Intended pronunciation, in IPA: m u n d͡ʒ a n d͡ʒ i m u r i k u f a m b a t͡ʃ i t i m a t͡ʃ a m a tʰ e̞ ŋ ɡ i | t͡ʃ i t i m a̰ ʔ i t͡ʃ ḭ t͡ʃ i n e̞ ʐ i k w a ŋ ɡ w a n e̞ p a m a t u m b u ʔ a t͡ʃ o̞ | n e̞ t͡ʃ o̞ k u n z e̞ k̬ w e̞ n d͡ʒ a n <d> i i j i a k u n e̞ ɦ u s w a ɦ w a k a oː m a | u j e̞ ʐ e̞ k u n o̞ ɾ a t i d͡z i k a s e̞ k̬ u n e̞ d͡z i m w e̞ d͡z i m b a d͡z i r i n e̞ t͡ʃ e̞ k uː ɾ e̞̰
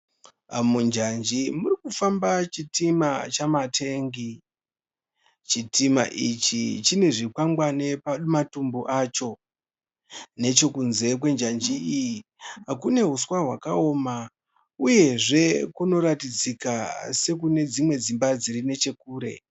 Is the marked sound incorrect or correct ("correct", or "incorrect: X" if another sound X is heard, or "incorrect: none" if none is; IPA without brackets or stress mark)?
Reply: incorrect: d͡ʒ